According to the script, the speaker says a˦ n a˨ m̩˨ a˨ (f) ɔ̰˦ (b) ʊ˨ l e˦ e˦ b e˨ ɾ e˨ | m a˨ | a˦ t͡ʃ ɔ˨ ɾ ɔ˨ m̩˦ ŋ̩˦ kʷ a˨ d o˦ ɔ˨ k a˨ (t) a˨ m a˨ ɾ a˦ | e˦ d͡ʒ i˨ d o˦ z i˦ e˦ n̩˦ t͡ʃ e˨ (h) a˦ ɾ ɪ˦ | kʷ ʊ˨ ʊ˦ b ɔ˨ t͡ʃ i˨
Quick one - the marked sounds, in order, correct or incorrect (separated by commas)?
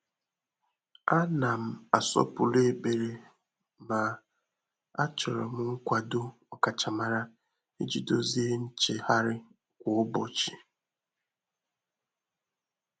incorrect, incorrect, incorrect, correct